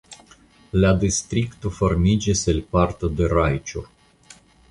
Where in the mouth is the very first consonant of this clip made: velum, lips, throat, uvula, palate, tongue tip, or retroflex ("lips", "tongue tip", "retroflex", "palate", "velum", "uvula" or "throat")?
tongue tip